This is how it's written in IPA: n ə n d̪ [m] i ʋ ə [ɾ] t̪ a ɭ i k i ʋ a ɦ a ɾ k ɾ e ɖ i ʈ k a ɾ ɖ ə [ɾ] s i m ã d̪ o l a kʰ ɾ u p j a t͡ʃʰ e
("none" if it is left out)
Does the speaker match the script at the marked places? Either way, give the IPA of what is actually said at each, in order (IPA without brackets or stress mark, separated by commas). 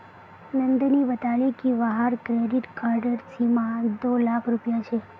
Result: n, none, ɾ